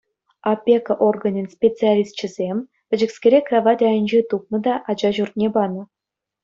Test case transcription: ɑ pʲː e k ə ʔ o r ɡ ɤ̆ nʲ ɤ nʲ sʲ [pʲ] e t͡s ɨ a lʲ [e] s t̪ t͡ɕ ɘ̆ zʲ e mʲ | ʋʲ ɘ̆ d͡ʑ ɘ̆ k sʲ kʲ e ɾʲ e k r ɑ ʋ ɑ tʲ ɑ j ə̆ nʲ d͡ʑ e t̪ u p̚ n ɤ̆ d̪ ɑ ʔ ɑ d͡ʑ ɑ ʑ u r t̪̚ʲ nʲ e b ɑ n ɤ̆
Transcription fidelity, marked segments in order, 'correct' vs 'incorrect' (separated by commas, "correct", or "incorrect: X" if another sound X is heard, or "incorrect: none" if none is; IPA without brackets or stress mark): correct, incorrect: i